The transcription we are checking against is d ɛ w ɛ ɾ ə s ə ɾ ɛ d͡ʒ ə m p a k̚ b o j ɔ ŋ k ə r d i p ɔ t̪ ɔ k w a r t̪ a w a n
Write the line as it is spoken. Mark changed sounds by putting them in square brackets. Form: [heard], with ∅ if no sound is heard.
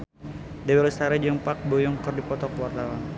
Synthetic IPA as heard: d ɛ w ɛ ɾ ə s [a] ɾ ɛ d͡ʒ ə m p a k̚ b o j ɔ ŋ k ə r d i p ɔ t̪ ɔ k w a r t̪ a w a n